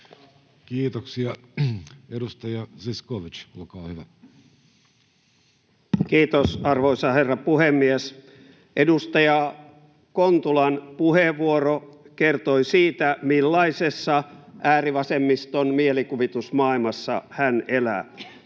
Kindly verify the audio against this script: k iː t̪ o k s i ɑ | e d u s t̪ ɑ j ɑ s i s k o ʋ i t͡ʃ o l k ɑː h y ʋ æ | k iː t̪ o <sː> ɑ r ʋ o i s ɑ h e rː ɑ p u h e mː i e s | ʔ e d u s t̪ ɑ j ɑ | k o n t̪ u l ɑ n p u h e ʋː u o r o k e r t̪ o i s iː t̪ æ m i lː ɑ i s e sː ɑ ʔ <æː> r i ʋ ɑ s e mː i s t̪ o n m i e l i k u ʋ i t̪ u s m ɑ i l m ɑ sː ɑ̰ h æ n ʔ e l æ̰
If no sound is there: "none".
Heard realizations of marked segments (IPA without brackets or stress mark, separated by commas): s, æː